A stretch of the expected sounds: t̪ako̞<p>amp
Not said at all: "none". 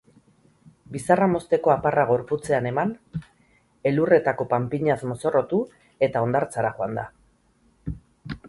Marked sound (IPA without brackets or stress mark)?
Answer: p